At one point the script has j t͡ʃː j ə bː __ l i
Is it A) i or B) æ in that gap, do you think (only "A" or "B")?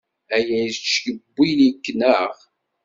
A